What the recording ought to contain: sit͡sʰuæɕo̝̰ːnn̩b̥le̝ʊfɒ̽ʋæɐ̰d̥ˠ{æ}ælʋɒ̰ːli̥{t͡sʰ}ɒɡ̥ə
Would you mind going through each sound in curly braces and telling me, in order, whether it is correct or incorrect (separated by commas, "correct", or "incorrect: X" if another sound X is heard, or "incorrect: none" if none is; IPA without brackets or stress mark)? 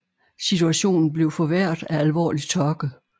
correct, correct